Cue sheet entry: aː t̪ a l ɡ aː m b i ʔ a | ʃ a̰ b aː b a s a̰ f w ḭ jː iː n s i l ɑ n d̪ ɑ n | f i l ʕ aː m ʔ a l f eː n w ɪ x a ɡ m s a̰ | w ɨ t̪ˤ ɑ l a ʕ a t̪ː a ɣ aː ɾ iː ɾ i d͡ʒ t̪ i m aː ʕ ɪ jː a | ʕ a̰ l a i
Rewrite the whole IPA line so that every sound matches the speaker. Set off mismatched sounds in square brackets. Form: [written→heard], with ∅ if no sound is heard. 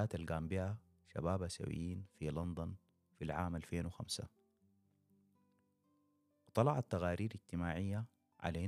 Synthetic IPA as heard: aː t̪ a l ɡ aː m b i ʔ a | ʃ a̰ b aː b a s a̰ [f→∅] w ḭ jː iː n [s→f] i l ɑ n d̪ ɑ n | f i l ʕ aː m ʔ a l f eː n w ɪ x a [ɡ→∅] m s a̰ | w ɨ t̪ˤ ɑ l [a→ɑ] ʕ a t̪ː a ɣ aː ɾ iː ɾ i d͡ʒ t̪ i m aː ʕ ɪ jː a | ʕ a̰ l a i